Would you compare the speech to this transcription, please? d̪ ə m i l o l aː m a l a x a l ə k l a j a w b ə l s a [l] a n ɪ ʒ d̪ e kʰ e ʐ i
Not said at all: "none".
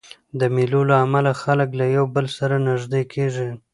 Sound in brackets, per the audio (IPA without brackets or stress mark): ɾ